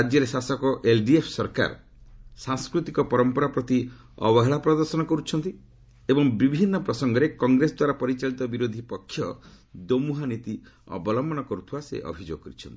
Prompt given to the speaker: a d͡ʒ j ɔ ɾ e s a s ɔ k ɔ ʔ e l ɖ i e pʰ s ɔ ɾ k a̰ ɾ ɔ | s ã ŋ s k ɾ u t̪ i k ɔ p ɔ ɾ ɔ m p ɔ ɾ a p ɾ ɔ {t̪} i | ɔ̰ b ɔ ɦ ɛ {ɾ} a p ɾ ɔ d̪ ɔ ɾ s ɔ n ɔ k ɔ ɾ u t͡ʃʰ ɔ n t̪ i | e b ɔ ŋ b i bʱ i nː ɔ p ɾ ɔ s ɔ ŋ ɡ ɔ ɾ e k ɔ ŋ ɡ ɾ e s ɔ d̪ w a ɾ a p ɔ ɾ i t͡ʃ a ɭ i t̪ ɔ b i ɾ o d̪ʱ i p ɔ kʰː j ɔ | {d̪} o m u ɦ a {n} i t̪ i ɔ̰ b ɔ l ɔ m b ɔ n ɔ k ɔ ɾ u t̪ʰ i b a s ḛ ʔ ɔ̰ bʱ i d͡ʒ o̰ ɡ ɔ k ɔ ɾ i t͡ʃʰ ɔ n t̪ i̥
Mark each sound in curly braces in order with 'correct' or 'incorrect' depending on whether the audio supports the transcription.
correct, incorrect, correct, correct

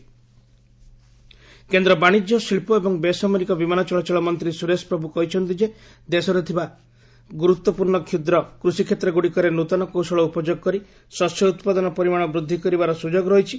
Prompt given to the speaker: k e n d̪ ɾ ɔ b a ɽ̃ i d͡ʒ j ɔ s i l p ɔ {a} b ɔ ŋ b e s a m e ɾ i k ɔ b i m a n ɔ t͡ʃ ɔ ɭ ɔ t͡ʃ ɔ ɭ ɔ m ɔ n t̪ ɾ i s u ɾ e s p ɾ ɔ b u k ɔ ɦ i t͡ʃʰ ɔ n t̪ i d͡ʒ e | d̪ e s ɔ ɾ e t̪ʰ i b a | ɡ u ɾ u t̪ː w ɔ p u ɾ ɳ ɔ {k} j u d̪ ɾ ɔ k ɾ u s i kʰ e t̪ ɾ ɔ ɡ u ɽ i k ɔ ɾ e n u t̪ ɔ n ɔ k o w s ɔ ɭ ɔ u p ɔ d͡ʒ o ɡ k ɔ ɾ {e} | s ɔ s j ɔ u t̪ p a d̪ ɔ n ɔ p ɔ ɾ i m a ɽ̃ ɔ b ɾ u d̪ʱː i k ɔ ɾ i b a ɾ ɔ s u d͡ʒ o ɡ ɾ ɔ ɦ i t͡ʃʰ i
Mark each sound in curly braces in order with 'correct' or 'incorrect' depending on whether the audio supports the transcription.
incorrect, incorrect, incorrect

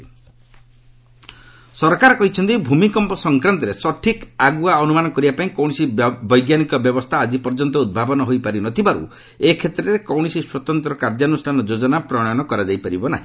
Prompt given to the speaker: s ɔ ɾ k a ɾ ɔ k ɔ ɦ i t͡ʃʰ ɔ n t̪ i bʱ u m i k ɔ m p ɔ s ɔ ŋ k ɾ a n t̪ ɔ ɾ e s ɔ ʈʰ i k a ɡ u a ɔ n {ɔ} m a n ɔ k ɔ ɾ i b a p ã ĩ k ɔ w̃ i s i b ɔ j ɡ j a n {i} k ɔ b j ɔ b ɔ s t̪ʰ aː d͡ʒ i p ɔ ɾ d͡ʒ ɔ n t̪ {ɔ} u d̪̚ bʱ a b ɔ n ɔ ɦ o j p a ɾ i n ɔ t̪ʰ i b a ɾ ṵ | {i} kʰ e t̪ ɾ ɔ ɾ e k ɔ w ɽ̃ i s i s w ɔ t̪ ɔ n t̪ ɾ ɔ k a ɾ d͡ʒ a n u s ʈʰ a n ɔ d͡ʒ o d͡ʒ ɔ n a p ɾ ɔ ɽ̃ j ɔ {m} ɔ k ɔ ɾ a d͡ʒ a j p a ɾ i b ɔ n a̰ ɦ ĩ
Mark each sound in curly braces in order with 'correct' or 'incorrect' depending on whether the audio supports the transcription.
incorrect, correct, correct, incorrect, incorrect

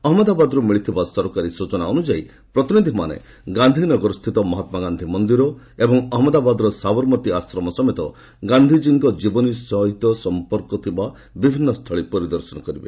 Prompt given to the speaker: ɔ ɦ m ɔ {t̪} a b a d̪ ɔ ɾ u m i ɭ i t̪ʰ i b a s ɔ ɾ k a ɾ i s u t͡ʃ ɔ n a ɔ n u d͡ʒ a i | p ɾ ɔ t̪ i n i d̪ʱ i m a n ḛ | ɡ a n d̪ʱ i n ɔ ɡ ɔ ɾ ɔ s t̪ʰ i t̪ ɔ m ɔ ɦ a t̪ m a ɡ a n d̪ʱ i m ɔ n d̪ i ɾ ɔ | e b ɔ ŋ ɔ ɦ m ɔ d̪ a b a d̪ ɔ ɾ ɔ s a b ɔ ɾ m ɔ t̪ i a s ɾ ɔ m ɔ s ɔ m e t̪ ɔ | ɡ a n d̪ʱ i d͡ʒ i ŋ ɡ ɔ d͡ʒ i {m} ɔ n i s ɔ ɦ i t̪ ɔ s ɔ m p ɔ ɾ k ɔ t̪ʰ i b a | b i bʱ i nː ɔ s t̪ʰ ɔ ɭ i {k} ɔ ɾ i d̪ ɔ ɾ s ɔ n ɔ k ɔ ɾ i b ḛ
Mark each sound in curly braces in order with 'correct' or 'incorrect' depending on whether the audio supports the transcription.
incorrect, incorrect, incorrect

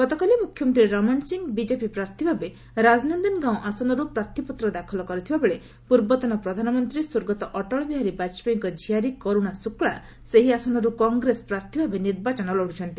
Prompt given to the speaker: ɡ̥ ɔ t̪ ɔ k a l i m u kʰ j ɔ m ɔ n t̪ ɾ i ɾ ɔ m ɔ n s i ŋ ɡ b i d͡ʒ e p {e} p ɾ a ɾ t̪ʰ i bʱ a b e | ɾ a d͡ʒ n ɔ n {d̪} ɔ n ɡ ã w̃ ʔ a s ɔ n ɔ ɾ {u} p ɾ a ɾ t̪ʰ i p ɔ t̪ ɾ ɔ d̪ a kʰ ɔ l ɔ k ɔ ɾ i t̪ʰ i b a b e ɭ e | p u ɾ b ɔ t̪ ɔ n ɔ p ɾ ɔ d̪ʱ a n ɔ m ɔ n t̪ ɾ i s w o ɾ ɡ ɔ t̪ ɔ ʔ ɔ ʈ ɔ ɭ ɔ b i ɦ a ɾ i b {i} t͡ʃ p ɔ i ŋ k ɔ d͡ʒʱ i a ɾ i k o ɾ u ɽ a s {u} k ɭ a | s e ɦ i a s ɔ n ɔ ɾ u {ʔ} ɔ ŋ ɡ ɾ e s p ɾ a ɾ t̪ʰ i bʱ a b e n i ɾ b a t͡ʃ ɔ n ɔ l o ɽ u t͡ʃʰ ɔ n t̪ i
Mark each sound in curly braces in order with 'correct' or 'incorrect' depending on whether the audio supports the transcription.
incorrect, correct, correct, incorrect, correct, incorrect

